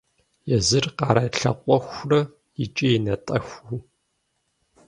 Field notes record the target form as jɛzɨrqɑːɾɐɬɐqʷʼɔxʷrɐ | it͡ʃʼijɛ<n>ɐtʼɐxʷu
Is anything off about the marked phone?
no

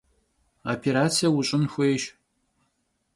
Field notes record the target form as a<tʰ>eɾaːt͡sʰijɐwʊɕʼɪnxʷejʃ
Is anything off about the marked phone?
yes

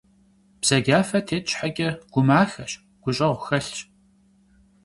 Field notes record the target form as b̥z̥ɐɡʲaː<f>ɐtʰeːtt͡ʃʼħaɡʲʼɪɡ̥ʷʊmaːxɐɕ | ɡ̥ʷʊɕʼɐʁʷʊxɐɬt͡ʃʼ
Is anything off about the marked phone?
no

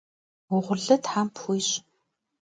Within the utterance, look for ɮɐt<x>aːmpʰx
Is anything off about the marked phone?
yes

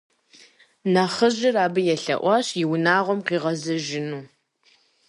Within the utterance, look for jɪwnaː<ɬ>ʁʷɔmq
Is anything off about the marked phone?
yes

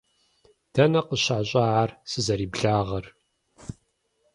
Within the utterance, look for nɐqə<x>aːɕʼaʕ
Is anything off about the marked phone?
yes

